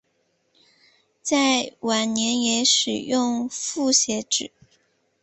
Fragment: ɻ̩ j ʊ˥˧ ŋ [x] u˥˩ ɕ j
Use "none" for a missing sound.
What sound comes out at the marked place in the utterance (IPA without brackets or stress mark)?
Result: f